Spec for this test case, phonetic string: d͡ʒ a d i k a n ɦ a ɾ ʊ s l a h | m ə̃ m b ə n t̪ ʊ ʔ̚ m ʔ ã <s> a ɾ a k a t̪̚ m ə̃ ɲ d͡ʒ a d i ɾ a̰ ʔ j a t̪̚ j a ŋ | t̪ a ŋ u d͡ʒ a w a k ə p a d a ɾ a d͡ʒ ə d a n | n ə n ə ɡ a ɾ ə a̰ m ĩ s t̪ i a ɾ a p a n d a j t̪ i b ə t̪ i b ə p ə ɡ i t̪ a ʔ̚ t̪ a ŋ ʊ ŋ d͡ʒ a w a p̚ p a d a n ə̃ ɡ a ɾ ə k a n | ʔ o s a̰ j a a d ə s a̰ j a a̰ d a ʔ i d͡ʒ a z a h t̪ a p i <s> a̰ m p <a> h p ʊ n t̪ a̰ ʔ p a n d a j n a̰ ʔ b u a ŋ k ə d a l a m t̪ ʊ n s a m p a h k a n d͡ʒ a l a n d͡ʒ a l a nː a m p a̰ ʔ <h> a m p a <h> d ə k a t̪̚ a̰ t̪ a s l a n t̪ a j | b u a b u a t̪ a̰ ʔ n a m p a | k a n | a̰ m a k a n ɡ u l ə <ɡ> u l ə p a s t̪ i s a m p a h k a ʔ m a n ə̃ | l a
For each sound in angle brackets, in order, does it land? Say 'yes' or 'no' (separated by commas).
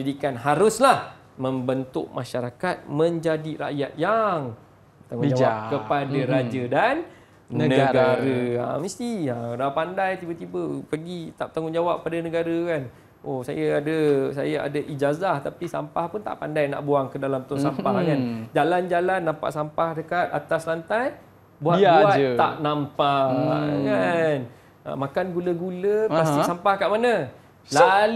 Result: no, yes, yes, no, yes, yes